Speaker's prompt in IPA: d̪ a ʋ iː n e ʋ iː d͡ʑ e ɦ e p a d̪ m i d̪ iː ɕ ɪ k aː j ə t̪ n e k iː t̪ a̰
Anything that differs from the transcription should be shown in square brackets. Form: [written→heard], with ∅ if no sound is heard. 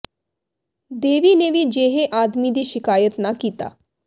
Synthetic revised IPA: d̪ [a→e] ʋ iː n e ʋ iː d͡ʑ e ɦ e [p→ʔ] a d̪ m i d̪ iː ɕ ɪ k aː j ə t̪ n [e→a] k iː t̪ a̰